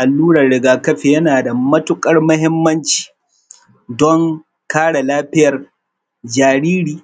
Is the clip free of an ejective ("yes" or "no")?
no